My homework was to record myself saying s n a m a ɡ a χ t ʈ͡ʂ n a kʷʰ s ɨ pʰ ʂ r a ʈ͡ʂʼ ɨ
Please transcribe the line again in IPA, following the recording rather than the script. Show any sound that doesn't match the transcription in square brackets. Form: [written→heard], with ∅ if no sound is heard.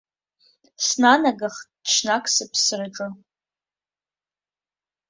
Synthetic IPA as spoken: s n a [m→n] a ɡ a χ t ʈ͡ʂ n a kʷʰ s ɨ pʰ [ʂ→s] r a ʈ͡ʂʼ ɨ